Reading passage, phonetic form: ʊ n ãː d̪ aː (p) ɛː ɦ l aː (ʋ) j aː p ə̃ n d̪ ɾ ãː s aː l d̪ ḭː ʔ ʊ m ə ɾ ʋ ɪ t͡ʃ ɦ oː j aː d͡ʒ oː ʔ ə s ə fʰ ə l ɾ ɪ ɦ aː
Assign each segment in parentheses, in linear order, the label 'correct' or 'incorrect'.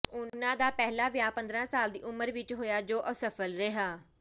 correct, correct

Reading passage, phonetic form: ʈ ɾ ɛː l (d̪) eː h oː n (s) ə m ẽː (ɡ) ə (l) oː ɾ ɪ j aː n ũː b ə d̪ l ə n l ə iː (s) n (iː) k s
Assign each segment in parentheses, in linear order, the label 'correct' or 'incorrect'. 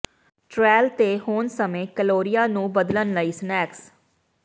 incorrect, correct, incorrect, correct, correct, incorrect

